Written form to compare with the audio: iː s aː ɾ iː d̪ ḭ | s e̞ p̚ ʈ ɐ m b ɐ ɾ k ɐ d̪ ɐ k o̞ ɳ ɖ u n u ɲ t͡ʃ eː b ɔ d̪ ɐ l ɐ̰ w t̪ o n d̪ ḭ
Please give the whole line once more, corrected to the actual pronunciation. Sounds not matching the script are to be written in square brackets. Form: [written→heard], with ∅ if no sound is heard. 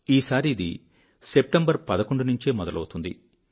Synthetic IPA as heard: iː s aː ɾ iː d̪ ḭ | s e̞ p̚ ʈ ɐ m b ɐ ɾ [k→p] ɐ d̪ ɐ k o̞ ɳ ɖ u n u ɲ t͡ʃ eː [b→m] ɔ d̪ ɐ l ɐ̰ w t̪ [o→u] n d̪ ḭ